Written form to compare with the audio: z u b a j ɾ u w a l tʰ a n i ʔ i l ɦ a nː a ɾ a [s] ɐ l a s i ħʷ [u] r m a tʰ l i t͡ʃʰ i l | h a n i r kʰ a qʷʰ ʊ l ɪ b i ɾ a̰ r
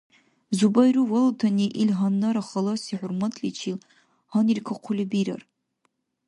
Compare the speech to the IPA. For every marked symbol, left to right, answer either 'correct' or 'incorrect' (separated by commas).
incorrect, incorrect